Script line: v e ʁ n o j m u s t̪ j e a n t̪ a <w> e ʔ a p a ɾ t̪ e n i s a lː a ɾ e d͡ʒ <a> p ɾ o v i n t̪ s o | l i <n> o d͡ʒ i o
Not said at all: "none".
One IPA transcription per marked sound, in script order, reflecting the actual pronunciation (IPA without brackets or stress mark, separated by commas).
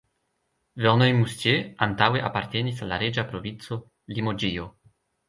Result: w, a, m